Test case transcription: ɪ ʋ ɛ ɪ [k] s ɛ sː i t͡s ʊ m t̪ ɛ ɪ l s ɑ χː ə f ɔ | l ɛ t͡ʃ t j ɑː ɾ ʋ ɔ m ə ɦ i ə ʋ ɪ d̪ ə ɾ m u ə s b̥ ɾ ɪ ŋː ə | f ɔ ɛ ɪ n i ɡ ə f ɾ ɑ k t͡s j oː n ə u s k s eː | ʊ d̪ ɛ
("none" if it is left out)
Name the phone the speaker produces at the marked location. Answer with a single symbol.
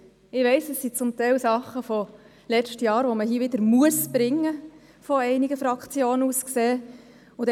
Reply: none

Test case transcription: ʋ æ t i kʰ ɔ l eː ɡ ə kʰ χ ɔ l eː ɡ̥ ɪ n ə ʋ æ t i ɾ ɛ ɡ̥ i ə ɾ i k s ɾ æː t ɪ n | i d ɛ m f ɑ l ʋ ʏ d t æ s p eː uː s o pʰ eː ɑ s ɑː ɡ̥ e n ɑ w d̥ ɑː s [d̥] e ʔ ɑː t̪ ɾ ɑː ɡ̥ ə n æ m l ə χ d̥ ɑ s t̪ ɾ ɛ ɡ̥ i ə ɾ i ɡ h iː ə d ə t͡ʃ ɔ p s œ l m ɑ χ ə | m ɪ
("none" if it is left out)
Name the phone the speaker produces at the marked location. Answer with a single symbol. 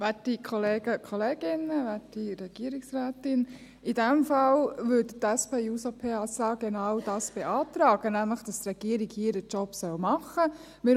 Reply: b̥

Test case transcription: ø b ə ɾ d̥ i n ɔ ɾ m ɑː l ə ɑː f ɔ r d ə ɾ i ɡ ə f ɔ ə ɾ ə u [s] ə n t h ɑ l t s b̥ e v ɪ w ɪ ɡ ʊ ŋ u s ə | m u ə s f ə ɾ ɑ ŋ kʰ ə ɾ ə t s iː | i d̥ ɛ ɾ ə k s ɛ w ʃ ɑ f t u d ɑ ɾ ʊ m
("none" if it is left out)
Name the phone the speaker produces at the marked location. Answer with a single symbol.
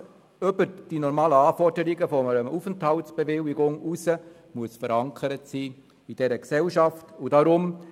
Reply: f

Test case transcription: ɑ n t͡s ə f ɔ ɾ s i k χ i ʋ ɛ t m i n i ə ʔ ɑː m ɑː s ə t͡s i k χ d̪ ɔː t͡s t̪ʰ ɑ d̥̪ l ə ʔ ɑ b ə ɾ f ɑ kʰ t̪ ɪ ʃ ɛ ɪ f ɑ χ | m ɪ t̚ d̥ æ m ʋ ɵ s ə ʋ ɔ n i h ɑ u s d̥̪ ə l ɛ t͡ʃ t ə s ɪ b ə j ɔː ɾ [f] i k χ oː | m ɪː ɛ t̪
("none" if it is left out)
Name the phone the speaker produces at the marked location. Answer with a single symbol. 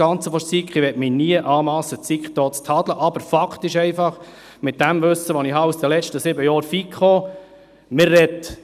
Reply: f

